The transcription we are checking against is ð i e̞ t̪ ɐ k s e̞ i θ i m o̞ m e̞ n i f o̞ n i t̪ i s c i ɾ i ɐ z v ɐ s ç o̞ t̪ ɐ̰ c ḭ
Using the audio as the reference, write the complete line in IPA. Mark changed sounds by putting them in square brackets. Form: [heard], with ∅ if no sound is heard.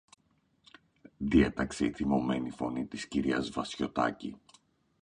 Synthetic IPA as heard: ð i e̞ t̪ ɐ k s e̞ i θ i m o̞ m e̞ n i f o̞ n i t̪ i s c i ɾ i ɐ z v ɐ s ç o̞ t̪ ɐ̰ c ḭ